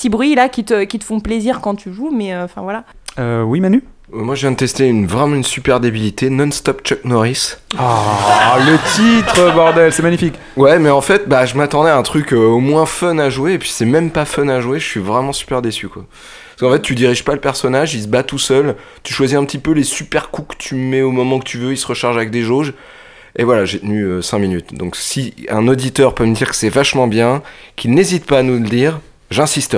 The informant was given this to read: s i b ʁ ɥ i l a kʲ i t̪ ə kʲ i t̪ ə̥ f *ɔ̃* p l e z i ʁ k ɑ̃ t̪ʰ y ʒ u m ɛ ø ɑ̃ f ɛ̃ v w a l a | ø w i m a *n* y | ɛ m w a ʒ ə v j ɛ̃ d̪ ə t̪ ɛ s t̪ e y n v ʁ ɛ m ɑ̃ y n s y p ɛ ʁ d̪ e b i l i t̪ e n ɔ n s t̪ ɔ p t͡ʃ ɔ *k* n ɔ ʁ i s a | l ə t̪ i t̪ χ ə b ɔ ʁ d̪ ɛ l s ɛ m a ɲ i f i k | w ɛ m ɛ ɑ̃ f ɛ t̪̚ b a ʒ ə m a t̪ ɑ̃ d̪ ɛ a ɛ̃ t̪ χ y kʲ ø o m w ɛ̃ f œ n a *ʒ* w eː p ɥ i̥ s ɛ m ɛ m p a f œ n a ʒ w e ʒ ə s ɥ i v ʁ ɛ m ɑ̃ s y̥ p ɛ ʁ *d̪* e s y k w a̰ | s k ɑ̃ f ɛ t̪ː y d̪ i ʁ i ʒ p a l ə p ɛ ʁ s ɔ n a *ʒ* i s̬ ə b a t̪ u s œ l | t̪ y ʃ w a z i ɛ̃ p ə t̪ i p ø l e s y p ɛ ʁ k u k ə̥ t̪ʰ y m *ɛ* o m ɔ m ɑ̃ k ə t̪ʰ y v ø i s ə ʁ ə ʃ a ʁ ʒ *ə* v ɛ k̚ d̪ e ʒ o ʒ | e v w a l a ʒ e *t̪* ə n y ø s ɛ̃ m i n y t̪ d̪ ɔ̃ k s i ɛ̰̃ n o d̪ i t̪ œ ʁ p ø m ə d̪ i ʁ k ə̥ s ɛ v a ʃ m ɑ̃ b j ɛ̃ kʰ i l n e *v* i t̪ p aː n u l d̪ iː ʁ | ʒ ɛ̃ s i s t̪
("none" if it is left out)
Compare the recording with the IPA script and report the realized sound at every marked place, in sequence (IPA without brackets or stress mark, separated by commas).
ɔ̃, n, k, ʒ, d̪, ʒ, ɛ, a, t̪, z